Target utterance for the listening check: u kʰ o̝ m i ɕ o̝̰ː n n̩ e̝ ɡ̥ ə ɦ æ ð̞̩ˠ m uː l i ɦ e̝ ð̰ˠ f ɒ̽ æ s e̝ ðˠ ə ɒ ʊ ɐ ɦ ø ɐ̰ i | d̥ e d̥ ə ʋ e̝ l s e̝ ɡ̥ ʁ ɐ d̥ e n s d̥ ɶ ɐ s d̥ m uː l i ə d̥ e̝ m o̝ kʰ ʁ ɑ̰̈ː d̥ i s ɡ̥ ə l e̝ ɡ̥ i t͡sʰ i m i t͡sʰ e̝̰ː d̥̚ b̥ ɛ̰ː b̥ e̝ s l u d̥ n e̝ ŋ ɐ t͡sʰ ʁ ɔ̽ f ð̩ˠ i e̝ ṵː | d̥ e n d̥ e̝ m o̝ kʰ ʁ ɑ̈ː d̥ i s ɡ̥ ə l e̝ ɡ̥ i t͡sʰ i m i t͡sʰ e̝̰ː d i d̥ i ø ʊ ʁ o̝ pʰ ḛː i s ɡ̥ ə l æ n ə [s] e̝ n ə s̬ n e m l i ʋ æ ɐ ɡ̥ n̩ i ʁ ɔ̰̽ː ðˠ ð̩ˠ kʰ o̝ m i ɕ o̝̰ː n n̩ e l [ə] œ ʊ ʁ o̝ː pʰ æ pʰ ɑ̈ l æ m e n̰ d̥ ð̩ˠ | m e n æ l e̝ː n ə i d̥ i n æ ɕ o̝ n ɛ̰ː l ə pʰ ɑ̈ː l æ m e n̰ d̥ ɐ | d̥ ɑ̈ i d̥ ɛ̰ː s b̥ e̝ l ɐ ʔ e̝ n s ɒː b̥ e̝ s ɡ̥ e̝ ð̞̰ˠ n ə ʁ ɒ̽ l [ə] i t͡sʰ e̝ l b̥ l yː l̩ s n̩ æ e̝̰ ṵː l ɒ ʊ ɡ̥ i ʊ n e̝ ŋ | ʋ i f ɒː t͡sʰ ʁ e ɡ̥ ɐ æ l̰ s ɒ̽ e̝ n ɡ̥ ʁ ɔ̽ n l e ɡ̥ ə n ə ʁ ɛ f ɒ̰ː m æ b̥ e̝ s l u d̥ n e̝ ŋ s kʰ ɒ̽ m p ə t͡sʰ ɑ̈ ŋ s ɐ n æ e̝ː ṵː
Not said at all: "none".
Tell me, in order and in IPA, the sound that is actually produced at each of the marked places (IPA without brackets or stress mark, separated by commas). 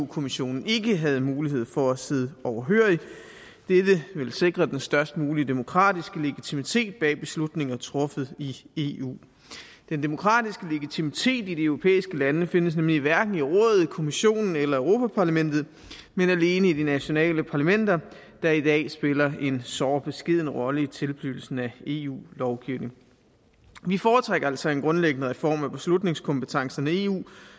f, ɐ, ə